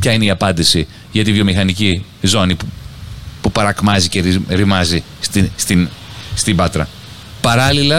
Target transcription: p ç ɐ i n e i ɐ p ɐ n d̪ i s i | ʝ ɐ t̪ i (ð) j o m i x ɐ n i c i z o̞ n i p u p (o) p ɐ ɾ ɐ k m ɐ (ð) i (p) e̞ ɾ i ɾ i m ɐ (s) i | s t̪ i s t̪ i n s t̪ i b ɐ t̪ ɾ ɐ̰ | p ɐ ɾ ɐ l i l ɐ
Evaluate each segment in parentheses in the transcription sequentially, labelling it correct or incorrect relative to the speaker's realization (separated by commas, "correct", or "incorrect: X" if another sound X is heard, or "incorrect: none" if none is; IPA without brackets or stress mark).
incorrect: v, incorrect: u, incorrect: z, incorrect: c, incorrect: z